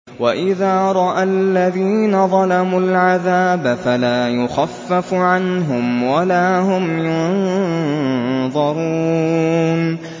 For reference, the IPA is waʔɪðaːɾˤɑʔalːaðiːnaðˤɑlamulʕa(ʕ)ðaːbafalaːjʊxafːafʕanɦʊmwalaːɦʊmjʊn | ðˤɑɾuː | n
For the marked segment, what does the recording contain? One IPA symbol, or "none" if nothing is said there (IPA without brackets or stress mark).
none